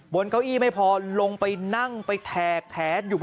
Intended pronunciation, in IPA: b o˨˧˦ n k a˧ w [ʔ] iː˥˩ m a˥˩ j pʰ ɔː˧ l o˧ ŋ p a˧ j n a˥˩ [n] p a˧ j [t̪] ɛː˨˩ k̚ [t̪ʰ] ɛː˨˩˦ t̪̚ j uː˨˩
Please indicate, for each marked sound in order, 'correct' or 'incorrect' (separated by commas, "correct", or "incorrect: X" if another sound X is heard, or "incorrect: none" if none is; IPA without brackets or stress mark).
correct, incorrect: ŋ, incorrect: t̪ʰ, correct